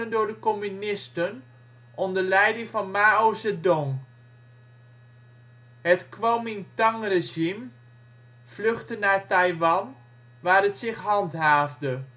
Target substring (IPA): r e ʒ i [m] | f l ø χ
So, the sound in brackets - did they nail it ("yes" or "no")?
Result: yes